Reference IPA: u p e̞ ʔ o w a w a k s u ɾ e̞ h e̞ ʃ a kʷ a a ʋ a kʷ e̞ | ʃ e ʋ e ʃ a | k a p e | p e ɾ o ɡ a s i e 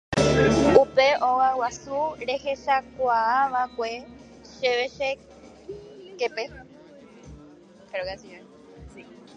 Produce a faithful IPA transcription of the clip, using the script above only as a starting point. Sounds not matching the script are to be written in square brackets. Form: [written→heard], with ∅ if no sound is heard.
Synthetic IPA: u p e̞ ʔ o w a w a [k→∅] s u ɾ e̞ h e̞ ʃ a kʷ a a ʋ a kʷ e̞ | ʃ e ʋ e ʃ [a→e] | k [a→e] p e | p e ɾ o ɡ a s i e